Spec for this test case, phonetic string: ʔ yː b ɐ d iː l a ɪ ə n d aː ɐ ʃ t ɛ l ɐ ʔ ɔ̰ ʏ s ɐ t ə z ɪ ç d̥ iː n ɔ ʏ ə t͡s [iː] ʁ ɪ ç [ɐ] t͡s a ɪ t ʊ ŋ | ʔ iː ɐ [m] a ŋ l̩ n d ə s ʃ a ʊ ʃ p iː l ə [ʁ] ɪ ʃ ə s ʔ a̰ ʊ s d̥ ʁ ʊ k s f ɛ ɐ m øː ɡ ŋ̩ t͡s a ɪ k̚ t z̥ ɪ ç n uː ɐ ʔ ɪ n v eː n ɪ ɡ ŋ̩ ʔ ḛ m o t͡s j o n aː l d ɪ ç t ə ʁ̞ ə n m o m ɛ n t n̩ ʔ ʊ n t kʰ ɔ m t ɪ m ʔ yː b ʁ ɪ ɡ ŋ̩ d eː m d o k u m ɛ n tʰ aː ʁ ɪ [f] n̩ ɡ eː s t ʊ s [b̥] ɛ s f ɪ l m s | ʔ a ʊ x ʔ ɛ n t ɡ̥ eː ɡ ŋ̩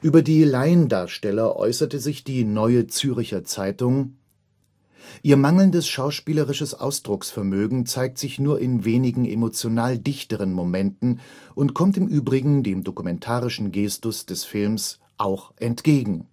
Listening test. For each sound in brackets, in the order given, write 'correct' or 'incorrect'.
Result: incorrect, correct, correct, correct, incorrect, incorrect

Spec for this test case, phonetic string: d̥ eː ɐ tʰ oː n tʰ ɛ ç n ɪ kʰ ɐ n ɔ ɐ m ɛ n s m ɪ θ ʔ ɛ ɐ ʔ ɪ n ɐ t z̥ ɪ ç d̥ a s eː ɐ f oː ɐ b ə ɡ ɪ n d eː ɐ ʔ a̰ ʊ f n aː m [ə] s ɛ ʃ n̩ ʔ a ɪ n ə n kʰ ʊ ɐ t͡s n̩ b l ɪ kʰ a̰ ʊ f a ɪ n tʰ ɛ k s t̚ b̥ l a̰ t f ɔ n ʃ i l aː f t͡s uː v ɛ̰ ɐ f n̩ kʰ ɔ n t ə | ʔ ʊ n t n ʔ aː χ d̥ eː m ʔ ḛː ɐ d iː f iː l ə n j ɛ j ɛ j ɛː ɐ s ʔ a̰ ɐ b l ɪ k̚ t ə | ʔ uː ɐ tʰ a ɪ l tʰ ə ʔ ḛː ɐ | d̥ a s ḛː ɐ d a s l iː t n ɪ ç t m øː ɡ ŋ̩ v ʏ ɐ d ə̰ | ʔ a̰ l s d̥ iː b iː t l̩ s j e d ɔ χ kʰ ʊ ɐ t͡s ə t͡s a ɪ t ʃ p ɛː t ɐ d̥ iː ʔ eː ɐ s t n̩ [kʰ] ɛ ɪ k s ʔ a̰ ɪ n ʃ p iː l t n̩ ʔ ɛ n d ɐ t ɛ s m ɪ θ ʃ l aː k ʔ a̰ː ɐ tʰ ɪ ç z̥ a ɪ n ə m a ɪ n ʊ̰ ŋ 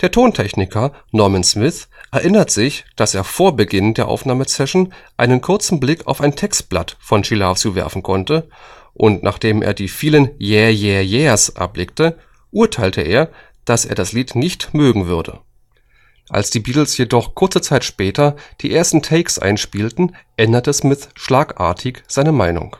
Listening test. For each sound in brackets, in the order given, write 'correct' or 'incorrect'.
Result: correct, incorrect

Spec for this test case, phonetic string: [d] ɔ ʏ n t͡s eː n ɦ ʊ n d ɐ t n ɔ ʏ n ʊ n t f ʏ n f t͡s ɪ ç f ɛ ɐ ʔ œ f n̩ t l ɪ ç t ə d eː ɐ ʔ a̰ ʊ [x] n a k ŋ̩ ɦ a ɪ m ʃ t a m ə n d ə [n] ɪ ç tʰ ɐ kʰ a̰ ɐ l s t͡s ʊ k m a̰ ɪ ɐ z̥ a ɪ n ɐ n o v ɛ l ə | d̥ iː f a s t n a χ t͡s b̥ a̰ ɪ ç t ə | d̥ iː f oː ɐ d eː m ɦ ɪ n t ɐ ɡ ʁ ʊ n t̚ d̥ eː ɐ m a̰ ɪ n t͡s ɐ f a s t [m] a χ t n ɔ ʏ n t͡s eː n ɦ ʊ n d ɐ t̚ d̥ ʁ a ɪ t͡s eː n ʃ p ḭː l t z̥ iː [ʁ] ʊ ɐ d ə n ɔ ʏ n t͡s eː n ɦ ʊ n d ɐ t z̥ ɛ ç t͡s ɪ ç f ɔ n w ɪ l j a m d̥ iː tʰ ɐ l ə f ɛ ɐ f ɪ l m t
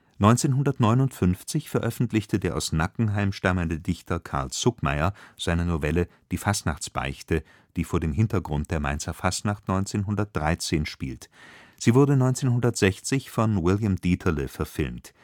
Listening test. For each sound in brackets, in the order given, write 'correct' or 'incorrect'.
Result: incorrect, incorrect, incorrect, incorrect, incorrect

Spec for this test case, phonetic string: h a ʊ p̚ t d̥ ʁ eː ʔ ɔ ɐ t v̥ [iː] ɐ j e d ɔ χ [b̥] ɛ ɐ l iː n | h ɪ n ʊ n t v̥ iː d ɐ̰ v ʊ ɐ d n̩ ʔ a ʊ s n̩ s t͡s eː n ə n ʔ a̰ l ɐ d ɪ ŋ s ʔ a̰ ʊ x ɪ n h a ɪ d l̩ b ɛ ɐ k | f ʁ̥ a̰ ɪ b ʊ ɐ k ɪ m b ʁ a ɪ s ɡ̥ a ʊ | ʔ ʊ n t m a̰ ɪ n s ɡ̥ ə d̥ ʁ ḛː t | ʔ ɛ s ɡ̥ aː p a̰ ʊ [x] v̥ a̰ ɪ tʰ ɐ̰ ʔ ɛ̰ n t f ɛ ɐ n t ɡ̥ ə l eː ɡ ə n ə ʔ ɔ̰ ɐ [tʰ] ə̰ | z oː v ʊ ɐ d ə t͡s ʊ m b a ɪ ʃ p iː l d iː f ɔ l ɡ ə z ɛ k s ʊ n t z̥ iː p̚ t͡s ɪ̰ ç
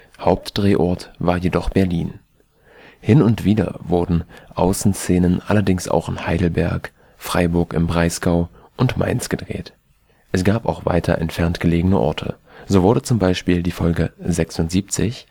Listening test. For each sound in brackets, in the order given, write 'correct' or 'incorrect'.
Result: incorrect, correct, correct, correct

